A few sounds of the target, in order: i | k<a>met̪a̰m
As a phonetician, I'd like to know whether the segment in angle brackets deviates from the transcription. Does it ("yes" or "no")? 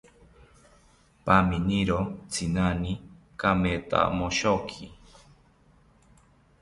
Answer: no